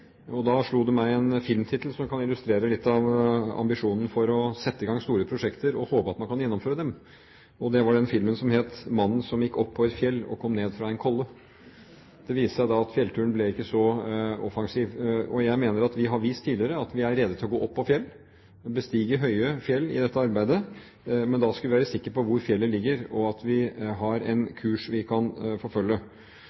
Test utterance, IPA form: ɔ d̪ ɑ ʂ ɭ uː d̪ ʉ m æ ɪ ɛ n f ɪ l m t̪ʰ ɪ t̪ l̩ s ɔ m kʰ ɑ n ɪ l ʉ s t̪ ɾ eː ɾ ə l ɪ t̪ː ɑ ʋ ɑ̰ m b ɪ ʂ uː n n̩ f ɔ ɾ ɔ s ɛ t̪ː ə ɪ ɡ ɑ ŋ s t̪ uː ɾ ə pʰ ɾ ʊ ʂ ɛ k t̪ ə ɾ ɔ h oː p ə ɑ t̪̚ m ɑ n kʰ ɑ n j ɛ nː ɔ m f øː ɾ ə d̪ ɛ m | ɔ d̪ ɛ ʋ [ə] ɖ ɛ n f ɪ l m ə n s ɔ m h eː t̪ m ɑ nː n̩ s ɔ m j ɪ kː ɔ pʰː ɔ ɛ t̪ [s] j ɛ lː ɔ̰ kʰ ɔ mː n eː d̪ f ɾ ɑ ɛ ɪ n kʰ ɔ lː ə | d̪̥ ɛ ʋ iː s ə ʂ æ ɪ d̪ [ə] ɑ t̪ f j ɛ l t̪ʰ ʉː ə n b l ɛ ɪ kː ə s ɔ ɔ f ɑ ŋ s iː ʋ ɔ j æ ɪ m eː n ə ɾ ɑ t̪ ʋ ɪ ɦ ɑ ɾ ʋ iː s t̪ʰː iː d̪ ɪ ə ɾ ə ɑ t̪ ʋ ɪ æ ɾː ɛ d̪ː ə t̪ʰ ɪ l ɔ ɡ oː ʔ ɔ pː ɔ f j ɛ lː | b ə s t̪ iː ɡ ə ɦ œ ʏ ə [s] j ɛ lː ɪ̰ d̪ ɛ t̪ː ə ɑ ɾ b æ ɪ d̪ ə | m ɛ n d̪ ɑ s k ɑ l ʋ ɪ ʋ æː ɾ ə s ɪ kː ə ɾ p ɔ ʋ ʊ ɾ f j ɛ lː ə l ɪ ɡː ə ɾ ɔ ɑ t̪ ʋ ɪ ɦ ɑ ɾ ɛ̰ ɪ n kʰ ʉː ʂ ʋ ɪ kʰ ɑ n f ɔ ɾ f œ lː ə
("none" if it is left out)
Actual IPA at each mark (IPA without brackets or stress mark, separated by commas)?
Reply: ɑ, f, ɑ, f